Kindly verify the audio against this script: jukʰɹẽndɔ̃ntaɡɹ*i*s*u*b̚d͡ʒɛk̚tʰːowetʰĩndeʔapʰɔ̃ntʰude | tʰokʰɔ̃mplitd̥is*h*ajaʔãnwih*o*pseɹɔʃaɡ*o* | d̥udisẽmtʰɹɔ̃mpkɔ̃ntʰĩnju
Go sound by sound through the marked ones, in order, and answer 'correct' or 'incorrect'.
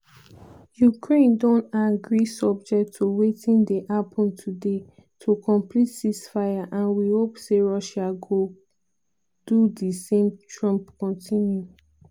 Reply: correct, incorrect: ɔ, incorrect: f, correct, correct

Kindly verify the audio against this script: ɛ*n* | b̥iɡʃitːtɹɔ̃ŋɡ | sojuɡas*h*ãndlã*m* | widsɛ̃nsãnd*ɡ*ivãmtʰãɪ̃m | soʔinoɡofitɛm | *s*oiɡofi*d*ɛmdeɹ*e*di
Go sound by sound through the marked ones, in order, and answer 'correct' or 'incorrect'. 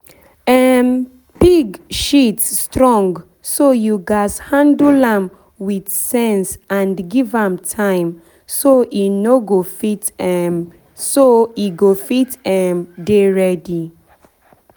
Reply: incorrect: m, correct, correct, correct, correct, incorrect: t, incorrect: ɛ

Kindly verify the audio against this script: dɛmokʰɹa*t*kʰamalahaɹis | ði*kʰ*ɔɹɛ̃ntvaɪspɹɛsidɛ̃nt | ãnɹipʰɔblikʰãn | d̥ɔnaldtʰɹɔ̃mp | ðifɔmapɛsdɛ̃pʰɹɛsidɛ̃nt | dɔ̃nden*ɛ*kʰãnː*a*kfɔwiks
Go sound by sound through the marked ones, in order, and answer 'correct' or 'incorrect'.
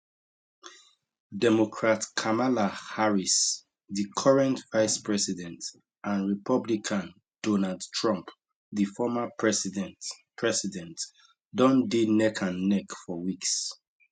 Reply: correct, correct, correct, incorrect: ɛ

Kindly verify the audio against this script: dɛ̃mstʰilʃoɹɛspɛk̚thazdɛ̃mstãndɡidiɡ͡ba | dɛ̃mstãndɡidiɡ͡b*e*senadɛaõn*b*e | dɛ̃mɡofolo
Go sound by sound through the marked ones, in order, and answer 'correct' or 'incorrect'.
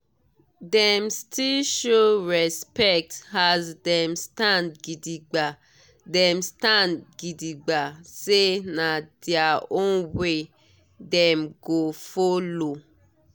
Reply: incorrect: a, incorrect: w

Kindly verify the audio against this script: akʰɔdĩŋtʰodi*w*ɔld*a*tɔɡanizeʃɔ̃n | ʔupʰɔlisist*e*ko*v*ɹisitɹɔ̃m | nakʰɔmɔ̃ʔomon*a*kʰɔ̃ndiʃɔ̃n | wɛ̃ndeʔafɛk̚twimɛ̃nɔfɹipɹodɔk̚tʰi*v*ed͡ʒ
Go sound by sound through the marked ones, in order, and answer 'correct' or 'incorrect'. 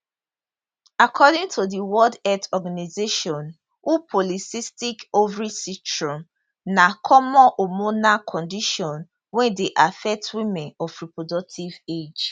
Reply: correct, incorrect: ɛ, incorrect: i, correct, correct, correct

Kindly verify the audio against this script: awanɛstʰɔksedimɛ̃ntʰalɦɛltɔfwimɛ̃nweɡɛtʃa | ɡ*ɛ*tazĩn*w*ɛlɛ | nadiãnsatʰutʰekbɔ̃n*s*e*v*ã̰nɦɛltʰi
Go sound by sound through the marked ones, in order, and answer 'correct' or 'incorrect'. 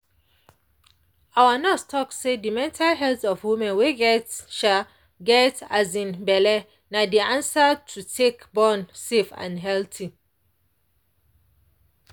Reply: correct, incorrect: b, correct, incorrect: f

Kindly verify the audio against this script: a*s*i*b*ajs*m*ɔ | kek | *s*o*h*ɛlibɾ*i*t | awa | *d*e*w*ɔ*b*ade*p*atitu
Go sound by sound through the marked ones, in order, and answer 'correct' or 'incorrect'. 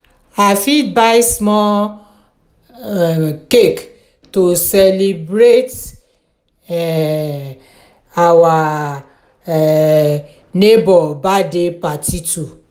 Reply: incorrect: f, correct, correct, incorrect: t, incorrect: s, incorrect: e, incorrect: n, incorrect: b, correct, correct

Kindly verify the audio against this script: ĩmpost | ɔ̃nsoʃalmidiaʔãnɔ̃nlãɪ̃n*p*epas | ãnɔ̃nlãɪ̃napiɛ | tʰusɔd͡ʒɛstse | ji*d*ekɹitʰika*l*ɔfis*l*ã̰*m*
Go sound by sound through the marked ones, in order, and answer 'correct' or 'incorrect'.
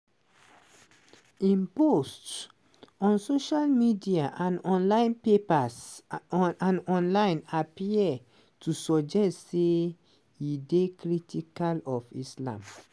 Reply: correct, correct, correct, correct, correct

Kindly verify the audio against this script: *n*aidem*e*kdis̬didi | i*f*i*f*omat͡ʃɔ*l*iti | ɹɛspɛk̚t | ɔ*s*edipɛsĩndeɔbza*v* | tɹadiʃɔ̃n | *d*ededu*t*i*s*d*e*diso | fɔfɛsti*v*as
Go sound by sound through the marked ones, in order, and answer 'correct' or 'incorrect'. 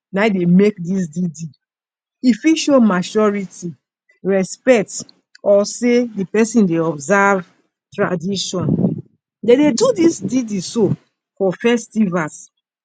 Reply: correct, correct, correct, incorrect: ʃ, incorrect: ɹ, correct, correct, correct, incorrect: d, correct, incorrect: i, correct

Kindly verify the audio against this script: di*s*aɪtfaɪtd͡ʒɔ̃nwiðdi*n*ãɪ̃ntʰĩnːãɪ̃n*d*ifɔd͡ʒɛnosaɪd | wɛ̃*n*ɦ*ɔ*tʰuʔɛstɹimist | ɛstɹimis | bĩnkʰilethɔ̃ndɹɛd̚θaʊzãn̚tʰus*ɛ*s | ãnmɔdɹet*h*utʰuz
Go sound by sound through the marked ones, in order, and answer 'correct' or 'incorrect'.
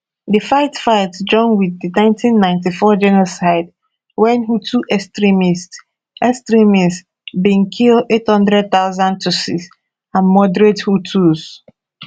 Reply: incorrect: f, correct, incorrect: t, correct, incorrect: u, incorrect: i, correct

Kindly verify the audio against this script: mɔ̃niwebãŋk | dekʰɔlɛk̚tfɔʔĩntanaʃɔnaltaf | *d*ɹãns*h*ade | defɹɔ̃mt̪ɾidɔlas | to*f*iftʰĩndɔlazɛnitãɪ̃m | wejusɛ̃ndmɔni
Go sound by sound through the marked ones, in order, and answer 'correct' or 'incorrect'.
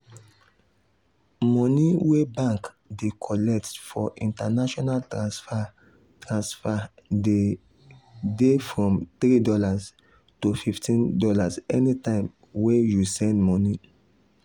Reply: incorrect: t, incorrect: f, correct

